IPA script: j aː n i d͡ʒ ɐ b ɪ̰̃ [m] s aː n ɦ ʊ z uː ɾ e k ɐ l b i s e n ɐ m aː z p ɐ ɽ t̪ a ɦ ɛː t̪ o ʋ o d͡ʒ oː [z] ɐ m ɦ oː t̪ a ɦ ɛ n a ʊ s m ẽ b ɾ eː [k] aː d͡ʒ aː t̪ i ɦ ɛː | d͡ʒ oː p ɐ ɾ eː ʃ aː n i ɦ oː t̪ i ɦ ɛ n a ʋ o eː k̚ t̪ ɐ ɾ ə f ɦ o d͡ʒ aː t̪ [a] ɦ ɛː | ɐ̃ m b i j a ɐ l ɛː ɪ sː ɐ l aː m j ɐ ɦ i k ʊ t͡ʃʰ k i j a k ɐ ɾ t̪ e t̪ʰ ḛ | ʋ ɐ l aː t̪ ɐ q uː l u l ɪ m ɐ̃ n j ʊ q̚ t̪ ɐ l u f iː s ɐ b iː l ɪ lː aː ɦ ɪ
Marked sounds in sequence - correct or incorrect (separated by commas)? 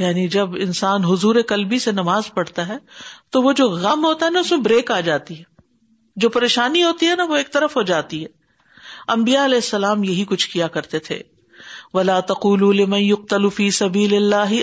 incorrect, incorrect, correct, incorrect